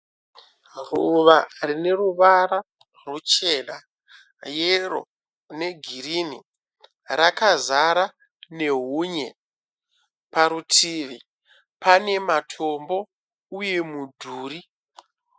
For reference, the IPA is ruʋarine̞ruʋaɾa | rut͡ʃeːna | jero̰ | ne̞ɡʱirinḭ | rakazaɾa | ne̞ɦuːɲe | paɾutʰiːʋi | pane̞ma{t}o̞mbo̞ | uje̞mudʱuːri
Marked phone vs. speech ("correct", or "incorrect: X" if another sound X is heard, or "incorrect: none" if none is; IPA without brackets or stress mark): incorrect: tʰ